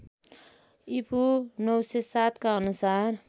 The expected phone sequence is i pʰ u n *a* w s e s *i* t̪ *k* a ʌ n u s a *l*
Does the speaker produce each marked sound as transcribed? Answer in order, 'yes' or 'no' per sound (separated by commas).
no, no, yes, no